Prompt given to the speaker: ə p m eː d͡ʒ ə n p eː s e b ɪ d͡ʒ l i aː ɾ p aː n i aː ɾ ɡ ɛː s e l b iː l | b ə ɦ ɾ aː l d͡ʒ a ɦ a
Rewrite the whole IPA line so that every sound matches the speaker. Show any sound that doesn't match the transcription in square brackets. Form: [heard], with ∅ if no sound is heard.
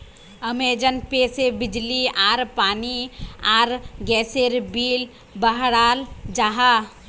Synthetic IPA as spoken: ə [∅] m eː d͡ʒ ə n p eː s e b ɪ d͡ʒ l i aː ɾ p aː n i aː ɾ ɡ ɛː s e [ɾ] b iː l | b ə ɦ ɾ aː l d͡ʒ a ɦ a